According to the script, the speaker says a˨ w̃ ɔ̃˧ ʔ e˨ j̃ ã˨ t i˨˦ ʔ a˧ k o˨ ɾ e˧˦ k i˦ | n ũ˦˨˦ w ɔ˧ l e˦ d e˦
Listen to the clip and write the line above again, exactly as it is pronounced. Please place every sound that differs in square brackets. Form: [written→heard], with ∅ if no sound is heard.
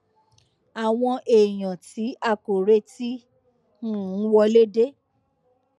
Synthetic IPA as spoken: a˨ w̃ ɔ̃˧ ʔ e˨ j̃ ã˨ t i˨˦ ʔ a˧ k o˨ ɾ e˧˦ [k→t] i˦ | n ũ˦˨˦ w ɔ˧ l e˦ d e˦

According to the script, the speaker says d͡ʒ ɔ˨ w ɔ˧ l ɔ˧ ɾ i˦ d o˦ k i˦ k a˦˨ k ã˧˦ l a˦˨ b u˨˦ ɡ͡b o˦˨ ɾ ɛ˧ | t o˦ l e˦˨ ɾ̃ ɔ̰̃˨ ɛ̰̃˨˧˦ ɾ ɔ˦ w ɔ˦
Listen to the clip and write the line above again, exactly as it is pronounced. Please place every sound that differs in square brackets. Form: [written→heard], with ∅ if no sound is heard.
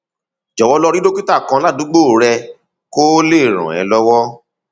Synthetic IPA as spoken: d͡ʒ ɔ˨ w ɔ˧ l ɔ˧ ɾ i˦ d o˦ k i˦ [k→t] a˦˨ k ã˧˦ l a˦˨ [b→d] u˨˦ ɡ͡b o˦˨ ɾ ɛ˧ | [t→k] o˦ l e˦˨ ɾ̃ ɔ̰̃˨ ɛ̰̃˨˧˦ [ɾ→l] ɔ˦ w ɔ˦

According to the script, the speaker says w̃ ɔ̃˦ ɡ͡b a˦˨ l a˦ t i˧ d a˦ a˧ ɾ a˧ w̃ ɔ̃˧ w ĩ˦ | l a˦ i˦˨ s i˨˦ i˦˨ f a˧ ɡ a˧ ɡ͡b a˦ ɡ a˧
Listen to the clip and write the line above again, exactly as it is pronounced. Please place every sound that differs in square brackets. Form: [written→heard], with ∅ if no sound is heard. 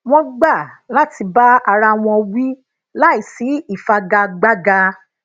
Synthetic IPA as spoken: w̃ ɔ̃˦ ɡ͡b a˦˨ l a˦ t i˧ [d→b] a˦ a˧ ɾ a˧ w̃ ɔ̃˧ w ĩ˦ | l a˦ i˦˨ s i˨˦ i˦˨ f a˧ ɡ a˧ ɡ͡b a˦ ɡ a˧

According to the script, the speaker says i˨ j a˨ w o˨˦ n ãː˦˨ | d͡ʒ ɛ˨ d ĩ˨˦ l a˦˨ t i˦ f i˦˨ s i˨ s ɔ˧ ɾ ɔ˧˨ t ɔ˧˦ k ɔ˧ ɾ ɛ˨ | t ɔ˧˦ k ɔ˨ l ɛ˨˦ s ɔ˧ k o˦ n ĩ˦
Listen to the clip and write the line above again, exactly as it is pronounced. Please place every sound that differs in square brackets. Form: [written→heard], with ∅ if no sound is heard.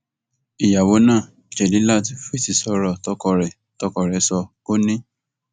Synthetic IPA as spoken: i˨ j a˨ w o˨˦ n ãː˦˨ | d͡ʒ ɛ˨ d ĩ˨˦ l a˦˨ t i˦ f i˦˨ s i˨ s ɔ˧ ɾ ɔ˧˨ t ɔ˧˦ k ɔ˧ ɾ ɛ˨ | t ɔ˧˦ k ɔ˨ [l→ɾ] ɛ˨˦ s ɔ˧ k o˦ n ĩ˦

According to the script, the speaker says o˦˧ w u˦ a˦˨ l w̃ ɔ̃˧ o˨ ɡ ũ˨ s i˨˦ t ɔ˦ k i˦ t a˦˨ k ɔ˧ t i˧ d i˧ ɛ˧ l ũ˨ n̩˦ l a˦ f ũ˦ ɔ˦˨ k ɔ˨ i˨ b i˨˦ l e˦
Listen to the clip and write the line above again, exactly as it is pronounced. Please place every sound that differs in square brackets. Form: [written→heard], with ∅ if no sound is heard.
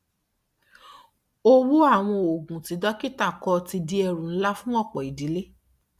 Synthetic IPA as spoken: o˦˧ w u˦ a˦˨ [l→∅] w̃ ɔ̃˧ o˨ ɡ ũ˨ [s→t] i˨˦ [t→d] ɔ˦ k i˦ t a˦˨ k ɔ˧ t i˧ d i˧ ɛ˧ [l→ɾ] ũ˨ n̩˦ l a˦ f ũ˦ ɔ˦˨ [k→k͡p] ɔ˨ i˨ [b→d] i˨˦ l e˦

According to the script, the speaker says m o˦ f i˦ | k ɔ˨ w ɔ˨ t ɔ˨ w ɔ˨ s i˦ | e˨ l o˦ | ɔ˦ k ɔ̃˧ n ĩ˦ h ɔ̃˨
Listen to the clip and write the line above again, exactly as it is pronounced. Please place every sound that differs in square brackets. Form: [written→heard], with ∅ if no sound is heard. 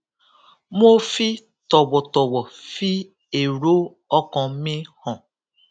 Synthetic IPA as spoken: m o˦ f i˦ | [k→t] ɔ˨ w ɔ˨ t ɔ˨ w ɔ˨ [s→f] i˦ | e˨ [l→ɾ] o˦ | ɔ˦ k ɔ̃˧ [n→m] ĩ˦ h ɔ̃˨

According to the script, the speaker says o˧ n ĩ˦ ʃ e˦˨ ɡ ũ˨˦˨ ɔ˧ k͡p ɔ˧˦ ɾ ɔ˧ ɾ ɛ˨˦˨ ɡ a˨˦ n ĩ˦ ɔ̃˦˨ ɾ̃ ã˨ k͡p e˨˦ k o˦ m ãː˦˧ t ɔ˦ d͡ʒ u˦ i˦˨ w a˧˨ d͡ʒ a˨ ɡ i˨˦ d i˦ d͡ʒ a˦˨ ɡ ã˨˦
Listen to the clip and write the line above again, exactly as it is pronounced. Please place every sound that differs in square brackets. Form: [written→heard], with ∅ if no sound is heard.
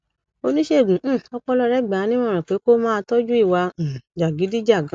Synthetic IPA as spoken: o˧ n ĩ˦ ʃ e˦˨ ɡ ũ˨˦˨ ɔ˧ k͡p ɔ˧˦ [ɾ→l] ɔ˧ ɾ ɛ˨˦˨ [ɡ→ɡ͡b] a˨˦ n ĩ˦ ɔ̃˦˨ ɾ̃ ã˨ k͡p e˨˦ k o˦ m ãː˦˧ t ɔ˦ d͡ʒ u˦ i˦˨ w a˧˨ d͡ʒ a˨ ɡ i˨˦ d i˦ d͡ʒ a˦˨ ɡ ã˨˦

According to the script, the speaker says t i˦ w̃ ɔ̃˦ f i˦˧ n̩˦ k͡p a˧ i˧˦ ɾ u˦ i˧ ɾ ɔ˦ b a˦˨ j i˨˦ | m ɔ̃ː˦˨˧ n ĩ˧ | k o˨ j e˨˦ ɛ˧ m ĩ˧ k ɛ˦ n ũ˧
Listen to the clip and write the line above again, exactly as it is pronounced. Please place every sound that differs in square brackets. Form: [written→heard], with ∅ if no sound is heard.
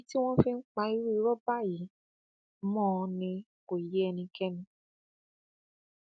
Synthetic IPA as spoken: t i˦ w̃ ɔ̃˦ f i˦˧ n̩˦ k͡p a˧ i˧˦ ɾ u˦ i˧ ɾ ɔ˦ b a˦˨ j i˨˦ | m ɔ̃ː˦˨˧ n ĩ˧ | k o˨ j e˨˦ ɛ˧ [m→n] ĩ˧ k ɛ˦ n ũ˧

